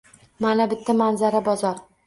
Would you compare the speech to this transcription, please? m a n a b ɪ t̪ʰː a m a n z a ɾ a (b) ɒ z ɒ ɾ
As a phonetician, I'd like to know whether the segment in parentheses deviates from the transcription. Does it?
no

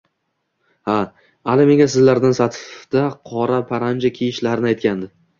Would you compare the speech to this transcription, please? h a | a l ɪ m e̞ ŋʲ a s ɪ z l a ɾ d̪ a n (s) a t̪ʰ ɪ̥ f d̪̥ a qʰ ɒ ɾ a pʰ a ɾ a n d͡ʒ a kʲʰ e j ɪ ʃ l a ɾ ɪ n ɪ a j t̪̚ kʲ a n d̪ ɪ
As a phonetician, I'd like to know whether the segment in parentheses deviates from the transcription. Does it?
no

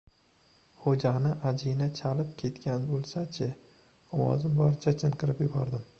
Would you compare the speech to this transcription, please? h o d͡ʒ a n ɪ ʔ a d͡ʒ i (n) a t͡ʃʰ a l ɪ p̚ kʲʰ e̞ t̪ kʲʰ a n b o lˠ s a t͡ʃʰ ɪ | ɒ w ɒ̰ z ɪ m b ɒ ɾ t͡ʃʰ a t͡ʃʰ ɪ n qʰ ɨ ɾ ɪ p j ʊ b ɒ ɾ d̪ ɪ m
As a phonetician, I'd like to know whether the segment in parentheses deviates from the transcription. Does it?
no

